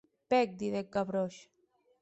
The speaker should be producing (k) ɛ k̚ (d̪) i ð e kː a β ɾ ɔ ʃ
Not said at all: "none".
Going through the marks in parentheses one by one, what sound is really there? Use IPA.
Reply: p, d̪

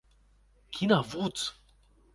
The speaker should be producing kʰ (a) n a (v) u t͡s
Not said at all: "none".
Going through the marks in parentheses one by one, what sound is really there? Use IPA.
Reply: i, v

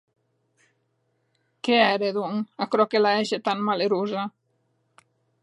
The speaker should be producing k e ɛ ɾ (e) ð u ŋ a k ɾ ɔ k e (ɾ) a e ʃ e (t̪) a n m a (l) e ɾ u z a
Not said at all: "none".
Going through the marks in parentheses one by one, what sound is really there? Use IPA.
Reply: e, l, t̪, l

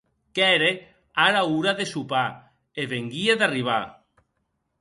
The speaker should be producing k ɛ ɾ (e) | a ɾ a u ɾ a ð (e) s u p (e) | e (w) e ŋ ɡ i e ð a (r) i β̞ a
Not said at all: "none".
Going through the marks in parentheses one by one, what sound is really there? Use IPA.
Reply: e, e, a, β, r

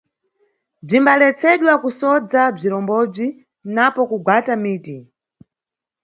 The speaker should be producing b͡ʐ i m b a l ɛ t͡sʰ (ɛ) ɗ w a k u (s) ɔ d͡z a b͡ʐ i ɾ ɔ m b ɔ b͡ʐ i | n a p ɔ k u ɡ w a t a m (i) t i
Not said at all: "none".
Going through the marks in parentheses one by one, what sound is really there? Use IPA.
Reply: ɛ, s, iː

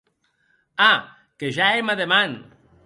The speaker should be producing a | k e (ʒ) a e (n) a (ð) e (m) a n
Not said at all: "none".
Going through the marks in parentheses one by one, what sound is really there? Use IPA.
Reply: ʒ, m, ð, m

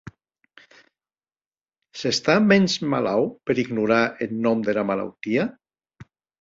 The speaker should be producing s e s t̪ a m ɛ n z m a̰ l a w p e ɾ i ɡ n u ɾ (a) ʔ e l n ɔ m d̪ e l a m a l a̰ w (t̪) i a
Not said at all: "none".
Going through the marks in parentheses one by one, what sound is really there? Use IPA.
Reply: a, t̪

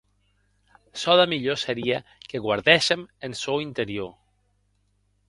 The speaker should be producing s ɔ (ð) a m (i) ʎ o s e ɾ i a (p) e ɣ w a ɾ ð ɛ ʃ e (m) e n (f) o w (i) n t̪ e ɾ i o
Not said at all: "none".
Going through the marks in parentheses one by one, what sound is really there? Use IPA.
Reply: ð, i, k, m, s, i

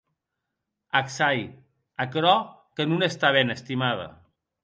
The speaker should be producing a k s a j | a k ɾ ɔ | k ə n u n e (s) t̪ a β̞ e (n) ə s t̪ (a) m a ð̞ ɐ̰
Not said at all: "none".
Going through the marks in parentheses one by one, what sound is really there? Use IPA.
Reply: s, n, i

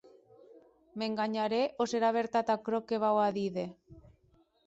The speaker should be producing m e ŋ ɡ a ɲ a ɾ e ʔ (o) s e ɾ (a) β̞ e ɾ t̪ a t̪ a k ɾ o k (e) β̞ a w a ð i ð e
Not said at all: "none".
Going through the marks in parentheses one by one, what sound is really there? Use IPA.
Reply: o, a, e

